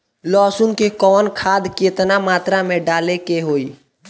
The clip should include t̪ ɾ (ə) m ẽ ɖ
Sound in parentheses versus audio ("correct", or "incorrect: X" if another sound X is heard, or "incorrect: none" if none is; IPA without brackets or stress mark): incorrect: a